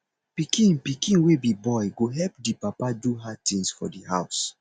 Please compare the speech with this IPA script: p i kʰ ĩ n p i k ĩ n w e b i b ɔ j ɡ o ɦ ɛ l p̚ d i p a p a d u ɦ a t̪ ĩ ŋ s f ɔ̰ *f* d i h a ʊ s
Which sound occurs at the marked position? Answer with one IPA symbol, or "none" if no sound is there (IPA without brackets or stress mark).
none